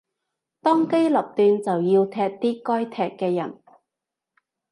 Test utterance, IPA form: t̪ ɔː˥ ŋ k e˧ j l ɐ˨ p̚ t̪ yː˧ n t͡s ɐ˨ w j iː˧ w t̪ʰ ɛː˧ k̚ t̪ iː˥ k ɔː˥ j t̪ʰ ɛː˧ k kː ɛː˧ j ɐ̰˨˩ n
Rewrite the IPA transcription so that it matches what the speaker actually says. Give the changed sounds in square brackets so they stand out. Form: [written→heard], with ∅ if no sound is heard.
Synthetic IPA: t̪ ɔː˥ ŋ k [e˧→e˥] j l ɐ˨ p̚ t̪ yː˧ n t͡s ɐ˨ w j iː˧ w t̪ʰ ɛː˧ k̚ t̪ iː˥ k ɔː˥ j t̪ʰ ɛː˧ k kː ɛː˧ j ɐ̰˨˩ n